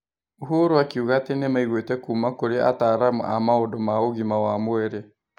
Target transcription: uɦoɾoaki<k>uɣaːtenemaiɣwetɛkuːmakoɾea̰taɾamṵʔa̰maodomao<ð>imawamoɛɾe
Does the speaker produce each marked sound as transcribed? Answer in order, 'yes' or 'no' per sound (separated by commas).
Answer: no, no